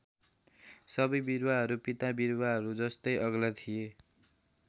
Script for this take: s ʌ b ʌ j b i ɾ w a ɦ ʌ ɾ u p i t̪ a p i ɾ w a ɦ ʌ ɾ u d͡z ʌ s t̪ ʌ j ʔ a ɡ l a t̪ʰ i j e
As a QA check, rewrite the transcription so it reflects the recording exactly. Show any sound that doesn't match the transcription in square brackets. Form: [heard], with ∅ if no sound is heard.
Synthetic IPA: s ʌ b ʌ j b i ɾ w a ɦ ʌ ɾ u p i t̪ a [b] i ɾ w a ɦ ʌ ɾ u d͡z ʌ s t̪ ʌ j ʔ [ʌ] ɡ l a t̪ʰ i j e